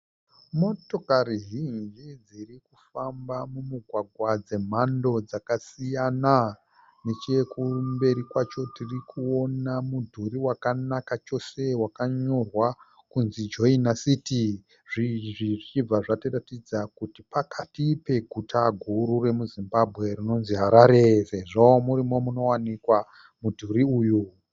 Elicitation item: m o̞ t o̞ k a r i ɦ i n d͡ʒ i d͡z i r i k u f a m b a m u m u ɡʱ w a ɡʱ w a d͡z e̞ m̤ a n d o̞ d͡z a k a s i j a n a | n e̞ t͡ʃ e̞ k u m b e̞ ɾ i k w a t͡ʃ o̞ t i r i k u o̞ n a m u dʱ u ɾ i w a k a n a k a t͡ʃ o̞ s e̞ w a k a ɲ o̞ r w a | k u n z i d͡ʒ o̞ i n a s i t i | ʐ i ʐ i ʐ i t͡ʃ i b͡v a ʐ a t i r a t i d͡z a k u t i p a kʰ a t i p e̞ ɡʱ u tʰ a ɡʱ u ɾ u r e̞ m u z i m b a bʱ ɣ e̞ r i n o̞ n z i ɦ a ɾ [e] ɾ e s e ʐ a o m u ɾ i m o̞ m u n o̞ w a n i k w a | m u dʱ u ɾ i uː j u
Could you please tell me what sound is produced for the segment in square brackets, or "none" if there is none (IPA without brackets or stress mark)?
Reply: a